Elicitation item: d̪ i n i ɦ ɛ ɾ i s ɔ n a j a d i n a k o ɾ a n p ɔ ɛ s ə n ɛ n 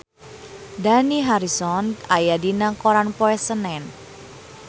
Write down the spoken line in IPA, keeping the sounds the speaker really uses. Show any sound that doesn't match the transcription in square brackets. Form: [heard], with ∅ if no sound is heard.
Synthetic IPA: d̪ [a] n i ɦ [a] ɾ i s ɔ n a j a d i n a k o ɾ a n p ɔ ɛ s ə n ɛ n